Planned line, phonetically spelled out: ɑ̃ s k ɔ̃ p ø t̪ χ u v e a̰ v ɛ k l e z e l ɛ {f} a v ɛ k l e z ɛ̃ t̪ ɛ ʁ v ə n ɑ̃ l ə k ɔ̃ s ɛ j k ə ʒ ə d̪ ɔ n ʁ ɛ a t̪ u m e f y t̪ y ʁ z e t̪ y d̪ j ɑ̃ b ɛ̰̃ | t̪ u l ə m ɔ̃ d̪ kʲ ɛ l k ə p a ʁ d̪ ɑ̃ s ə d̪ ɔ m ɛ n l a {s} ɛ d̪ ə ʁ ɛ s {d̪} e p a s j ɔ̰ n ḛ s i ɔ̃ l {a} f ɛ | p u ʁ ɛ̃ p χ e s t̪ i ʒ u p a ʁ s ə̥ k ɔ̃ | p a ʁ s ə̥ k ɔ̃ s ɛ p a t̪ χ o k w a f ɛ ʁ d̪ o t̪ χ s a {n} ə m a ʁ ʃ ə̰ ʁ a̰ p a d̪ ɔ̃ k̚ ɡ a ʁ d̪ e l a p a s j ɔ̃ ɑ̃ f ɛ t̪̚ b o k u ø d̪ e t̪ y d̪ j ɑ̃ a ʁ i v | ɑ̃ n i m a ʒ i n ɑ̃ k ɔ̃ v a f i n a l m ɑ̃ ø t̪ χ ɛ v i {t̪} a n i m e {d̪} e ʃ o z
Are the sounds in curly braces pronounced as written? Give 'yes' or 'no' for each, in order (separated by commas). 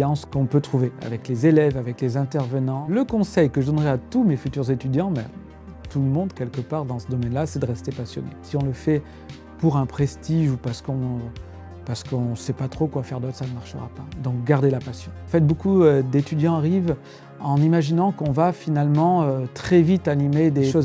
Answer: no, yes, no, no, yes, yes, yes